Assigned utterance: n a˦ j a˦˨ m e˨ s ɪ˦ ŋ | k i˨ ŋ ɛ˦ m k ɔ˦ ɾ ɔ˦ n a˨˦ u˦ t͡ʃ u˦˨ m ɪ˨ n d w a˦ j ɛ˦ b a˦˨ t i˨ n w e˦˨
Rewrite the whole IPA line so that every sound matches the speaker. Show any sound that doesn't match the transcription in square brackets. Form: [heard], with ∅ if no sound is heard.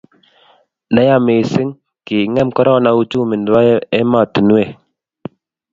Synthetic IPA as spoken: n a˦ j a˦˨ m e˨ s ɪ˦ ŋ | k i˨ ŋ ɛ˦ m k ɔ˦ ɾ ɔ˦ n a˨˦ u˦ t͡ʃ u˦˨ m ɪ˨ n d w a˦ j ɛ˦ [m] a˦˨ t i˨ n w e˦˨